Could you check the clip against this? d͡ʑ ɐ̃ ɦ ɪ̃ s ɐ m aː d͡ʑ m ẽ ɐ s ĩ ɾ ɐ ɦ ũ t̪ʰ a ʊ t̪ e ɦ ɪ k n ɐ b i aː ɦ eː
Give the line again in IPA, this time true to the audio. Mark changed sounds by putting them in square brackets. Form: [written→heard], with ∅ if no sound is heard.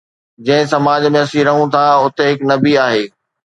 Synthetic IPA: d͡ʑ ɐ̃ ɦ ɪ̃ s ɐ m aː d͡ʑ m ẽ ɐ s ĩ ɾ ɐ ɦ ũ t̪ʰ a ʊ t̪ e ɦ ɪ k n ɐ b i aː ɦ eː